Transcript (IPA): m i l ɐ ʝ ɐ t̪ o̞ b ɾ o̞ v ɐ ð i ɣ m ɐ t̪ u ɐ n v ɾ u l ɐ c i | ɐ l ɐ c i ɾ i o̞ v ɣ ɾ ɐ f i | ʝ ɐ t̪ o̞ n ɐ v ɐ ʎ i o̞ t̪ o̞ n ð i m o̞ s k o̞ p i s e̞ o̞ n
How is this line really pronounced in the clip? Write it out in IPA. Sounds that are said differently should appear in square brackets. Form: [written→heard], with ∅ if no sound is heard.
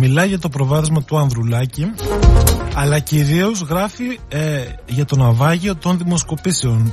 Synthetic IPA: m i l ɐ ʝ ɐ t̪ o̞ [b→p] ɾ o̞ v ɐ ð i [ɣ→z] m ɐ t̪ u ɐ n [v→ð] ɾ u l ɐ c i | ɐ l ɐ c i ɾ i o̞ [v→z] ɣ ɾ ɐ f i | ʝ ɐ t̪ o̞ n ɐ v ɐ [ʎ→ʝ] i o̞ t̪ o̞ n ð i m o̞ s k o̞ p i s e̞ o̞ n